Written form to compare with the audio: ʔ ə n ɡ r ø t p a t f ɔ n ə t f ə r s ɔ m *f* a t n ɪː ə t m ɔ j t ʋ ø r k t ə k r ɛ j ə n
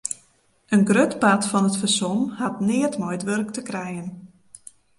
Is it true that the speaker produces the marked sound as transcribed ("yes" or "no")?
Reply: no